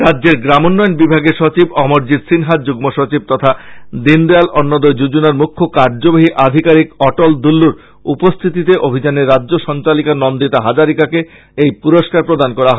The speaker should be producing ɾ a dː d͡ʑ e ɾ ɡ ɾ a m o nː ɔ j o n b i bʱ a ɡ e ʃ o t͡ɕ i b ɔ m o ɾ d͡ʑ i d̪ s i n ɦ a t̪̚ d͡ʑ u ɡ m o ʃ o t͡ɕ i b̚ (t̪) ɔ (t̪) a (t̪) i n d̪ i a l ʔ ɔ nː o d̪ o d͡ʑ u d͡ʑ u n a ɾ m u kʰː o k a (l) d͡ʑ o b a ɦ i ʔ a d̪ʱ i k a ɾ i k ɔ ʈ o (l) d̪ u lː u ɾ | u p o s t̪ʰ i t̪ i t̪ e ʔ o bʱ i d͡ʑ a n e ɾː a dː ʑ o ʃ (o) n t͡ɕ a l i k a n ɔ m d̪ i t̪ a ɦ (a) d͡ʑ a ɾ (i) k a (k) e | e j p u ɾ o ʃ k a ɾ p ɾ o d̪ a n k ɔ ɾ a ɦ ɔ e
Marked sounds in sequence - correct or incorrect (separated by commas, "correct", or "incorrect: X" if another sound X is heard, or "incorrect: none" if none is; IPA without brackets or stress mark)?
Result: correct, incorrect: t̪ʰ, incorrect: d̪, incorrect: ɾ, correct, incorrect: ɔ, correct, correct, correct